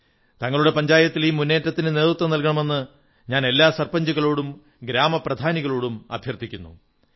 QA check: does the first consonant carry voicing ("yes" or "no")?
no